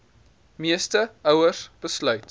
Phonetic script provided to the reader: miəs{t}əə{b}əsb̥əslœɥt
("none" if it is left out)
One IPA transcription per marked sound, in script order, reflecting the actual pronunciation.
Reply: t, w

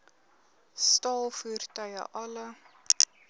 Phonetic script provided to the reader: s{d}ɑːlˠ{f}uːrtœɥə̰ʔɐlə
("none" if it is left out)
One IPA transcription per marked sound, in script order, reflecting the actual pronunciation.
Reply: t, f

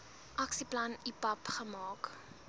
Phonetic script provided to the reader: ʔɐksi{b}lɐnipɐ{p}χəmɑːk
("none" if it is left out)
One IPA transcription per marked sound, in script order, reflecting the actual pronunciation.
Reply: p, p

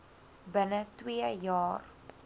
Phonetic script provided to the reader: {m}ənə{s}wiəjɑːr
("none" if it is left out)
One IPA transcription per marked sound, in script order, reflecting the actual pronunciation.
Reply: b, t

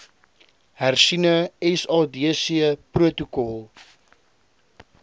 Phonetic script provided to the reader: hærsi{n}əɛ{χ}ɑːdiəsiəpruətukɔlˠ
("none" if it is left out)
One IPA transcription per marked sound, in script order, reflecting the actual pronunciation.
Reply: n, s

